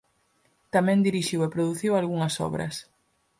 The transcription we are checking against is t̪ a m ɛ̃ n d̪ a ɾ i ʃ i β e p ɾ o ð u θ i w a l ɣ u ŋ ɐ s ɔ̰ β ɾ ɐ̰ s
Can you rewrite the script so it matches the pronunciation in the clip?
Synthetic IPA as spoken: t̪ a m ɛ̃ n d̪ i ɾ i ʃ i w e p ɾ o ð u θ i w a l ɣ u ŋ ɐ s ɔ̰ β ɾ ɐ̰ s